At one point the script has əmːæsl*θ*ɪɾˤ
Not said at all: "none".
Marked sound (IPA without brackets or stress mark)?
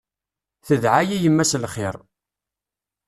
χ